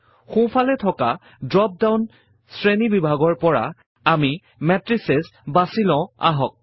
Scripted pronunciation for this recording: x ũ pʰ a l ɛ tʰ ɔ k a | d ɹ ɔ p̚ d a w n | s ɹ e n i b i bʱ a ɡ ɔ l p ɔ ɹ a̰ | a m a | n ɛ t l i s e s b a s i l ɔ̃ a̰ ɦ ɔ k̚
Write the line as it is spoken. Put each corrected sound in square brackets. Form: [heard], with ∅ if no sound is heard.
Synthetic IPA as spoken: x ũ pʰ a l ɛ tʰ ɔ k a | d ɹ ɔ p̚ d a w n | s ɹ e n i b i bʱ a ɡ ɔ [ɹ] p ɔ ɹ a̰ | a m [i] | [m] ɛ t [ɹ] i s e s b a s i l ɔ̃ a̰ ɦ ɔ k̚